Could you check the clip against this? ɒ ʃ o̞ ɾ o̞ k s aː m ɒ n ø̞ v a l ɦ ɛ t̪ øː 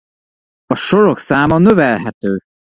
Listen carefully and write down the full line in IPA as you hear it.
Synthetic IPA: ɒ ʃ o̞ ɾ o̞ k s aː m ɒ n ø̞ v ɛ l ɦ ɛ t̪ øː